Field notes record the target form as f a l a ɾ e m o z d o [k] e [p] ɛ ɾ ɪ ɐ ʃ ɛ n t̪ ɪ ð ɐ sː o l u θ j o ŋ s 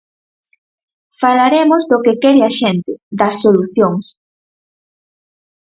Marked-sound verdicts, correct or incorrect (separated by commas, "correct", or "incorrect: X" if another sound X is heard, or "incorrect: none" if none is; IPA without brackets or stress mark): correct, incorrect: k